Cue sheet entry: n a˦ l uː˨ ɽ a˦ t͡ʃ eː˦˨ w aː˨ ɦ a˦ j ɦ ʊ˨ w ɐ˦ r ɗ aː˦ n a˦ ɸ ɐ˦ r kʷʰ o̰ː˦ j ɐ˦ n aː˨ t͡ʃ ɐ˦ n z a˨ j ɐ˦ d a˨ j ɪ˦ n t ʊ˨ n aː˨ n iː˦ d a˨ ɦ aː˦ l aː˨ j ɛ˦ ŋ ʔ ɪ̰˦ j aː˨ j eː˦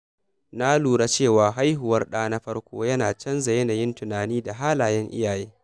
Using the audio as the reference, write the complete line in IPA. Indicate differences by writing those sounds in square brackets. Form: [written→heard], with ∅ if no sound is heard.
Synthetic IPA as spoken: n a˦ l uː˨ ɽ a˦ t͡ʃ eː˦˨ w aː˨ ɦ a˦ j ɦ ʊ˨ w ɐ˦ r ɗ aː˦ n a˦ ɸ ɐ˦ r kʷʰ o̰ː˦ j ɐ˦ n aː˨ t͡ʃ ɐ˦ n z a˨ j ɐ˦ [d→n] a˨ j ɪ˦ n t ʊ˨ n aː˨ n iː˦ d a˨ ɦ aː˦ l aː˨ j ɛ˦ ŋ ʔ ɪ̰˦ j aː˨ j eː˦